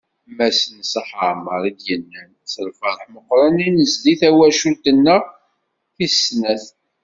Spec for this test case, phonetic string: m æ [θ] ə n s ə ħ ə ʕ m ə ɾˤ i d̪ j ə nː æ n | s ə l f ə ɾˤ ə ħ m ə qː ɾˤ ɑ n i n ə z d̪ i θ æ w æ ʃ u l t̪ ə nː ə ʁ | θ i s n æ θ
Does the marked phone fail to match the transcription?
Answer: yes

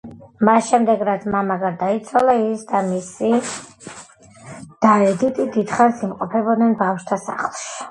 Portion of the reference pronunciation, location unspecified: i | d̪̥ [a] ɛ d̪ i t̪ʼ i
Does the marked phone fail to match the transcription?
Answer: no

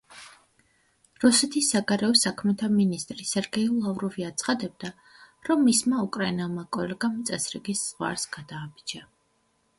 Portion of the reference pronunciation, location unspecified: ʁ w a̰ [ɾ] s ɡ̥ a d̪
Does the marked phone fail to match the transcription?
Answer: no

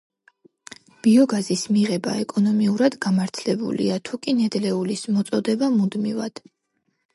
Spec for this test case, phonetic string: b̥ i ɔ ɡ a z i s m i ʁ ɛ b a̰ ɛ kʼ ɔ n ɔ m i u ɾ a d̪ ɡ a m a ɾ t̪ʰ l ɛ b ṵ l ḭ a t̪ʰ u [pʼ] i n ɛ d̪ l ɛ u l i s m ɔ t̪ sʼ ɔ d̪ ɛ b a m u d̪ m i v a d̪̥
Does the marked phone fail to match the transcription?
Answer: yes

